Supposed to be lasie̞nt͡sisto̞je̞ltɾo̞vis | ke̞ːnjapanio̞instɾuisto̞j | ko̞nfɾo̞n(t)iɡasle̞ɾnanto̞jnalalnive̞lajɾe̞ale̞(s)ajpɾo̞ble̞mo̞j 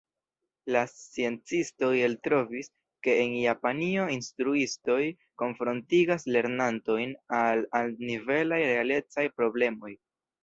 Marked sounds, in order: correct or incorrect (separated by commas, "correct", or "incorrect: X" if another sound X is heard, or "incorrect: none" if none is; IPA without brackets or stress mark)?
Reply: correct, incorrect: t͡s